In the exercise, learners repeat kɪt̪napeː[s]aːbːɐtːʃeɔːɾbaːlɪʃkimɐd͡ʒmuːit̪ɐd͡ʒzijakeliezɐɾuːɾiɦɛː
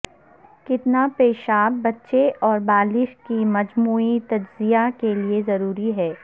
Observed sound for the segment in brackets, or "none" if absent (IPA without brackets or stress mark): ʃ